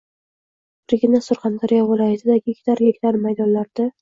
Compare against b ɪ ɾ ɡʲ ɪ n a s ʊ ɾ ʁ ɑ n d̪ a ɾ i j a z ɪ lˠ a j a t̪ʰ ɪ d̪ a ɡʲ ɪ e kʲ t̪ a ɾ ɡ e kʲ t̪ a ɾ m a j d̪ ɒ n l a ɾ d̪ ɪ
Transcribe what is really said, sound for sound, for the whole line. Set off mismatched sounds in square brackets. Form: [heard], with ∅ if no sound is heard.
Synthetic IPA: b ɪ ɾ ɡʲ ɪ n a s ʊ ɾ [χ] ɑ n d̪ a ɾ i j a [v] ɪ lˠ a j a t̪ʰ ɪ d̪ a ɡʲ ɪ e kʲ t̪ a ɾ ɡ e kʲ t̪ a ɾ m a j d̪ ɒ n l a ɾ d̪ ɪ